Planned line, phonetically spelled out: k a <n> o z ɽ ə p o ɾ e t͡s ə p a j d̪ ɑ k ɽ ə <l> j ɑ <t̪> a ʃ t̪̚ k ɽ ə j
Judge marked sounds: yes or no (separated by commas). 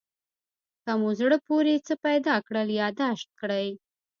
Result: no, yes, no